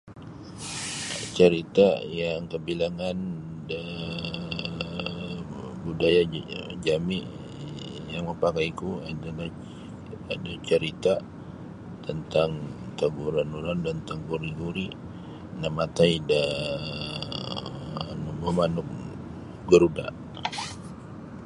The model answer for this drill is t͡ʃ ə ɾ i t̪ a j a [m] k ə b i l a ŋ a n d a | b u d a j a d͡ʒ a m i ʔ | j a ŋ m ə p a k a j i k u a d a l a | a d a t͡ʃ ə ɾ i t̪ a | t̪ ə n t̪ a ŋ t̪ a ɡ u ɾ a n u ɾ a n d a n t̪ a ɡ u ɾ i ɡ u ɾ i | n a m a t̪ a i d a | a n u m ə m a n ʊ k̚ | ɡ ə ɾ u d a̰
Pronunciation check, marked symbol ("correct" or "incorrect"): incorrect